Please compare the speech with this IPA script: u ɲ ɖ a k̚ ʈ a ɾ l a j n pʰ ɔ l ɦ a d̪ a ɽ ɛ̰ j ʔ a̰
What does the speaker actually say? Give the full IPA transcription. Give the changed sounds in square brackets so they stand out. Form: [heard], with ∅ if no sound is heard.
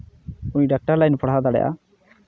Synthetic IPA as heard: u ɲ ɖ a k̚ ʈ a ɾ l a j n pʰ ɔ [ɽ] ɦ a d̪ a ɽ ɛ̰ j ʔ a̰

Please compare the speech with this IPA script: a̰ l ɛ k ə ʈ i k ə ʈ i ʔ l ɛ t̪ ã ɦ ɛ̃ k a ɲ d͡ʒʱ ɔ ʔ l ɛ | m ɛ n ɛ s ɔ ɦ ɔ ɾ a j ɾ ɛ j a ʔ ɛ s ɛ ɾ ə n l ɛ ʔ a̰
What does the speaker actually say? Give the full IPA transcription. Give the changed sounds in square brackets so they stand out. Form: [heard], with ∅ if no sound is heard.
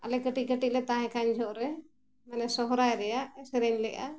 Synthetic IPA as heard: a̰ l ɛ k ə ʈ i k ə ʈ i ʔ l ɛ t̪ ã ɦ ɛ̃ k a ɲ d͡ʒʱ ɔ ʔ [ɾ] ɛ | m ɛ n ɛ s ɔ ɦ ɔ ɾ a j ɾ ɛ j a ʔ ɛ s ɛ ɾ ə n l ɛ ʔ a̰

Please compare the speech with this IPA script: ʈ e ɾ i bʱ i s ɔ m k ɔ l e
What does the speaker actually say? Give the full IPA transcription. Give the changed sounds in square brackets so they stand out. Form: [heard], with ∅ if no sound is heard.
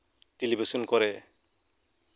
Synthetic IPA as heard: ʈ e [l] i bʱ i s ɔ [n] k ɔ [ɾ] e

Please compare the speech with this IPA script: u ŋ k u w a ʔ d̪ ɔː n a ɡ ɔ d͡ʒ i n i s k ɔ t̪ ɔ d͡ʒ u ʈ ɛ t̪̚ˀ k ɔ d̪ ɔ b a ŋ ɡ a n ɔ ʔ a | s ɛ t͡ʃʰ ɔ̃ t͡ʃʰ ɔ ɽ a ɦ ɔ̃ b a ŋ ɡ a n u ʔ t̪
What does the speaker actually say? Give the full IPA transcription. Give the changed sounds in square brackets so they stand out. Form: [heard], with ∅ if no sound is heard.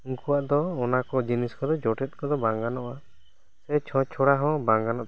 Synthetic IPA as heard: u ŋ k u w a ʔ d̪ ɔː n a [k] ɔ d͡ʒ i n i s k ɔ [d̪] ɔ d͡ʒ [ɔ] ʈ ɛ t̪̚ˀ k ɔ d̪ ɔ b a ŋ ɡ a n ɔ ʔ a | s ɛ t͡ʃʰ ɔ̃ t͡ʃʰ ɔ ɽ a ɦ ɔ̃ b a ŋ ɡ a n [ɔ] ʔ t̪

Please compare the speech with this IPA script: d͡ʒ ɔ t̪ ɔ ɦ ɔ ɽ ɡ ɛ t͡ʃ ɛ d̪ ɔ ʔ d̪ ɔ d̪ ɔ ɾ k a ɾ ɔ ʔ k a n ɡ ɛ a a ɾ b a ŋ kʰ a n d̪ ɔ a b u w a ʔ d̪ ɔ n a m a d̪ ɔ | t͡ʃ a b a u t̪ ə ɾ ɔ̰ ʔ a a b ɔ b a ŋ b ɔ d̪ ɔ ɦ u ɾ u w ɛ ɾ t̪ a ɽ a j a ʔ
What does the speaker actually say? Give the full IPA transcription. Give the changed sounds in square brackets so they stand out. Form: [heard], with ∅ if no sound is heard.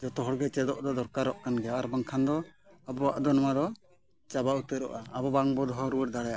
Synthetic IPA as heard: d͡ʒ ɔ t̪ ɔ ɦ ɔ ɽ ɡ ɛ t͡ʃ ɛ d̪ ɔ ʔ d̪ ɔ d̪ ɔ ɾ k a ɾ ɔ ʔ k a n ɡ ɛ a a ɾ b a ŋ kʰ a n d̪ ɔ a b [ɔ] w a ʔ d̪ ɔ n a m a d̪ ɔ | t͡ʃ a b a u t̪ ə ɾ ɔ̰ ʔ a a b ɔ b a ŋ b ɔ d̪ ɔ ɦ [ɔ] ɾ u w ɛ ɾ [d̪] a ɽ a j a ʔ

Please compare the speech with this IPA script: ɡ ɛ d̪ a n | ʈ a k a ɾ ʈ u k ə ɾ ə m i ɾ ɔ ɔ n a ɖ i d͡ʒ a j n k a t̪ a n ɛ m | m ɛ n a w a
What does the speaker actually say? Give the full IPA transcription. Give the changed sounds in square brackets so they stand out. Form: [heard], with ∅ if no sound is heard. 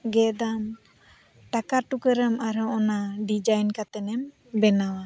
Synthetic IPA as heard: ɡ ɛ d̪ a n | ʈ a k a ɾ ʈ u k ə ɾ ə m [a] ɾ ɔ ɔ n a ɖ i d͡ʒ a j n k a t̪ [ɛ] n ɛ m | [b] ɛ n a w a

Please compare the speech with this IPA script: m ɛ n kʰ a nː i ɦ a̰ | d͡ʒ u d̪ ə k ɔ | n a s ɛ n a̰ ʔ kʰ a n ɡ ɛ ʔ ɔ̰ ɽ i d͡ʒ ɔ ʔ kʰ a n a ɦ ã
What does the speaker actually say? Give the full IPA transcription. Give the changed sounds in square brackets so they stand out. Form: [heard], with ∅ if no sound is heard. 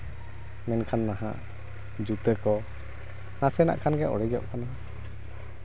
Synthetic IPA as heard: m ɛ n kʰ a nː [a] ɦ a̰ | d͡ʒ u [t̪] ə k ɔ | n a s ɛ n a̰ ʔ kʰ a n ɡ ɛ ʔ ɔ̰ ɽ [ɛ] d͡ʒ ɔ ʔ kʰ a n a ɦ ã

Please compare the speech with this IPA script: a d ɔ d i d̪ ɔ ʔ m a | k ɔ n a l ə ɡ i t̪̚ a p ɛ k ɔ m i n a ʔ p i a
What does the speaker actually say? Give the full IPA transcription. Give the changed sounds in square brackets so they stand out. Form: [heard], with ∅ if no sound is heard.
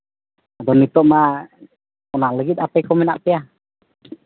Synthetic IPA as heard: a d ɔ [n] i [t̪] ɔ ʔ m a | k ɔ n a l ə ɡ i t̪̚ a p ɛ k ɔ m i n a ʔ p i a

